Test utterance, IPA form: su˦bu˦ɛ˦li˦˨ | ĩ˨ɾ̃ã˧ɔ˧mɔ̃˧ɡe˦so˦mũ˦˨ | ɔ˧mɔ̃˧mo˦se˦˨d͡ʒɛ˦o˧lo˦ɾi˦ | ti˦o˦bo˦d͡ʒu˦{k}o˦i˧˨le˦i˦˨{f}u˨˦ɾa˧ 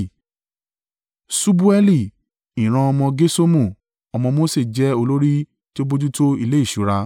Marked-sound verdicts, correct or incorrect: incorrect, incorrect

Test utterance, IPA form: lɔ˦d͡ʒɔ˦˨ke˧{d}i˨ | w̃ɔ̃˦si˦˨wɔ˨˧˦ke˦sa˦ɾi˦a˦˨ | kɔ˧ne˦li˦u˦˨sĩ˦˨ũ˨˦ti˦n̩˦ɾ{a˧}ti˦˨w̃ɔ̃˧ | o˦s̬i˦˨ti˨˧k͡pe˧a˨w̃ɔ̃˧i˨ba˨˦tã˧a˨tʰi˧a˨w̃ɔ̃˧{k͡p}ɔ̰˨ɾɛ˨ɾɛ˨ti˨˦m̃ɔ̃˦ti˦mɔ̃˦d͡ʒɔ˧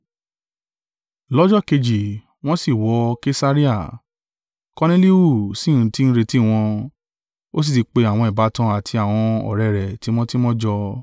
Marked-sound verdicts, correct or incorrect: incorrect, incorrect, incorrect

